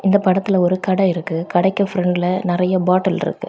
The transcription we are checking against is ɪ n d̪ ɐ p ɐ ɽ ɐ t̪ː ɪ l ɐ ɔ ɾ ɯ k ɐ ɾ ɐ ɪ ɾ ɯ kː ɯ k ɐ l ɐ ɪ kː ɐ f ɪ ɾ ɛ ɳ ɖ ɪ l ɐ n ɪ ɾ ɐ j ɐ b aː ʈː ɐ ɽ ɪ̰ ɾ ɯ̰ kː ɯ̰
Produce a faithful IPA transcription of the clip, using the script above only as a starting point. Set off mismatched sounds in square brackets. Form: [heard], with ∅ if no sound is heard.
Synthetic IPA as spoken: ɪ n d̪ ɐ p ɐ ɽ ɐ t̪ː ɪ l ɐ ɔ ɾ ɯ k ɐ [ɽ] ɐ ɪ ɾ ɯ kː ɯ k ɐ [ɽ] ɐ ɪ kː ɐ f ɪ ɾ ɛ ɳ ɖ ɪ l ɐ n ɪ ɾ ɐ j ɐ b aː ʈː ɐ [l] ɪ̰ ɾ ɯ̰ kː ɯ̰